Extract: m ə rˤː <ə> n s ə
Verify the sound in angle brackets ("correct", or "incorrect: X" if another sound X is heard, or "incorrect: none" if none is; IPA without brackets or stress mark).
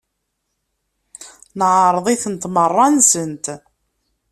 incorrect: ɑ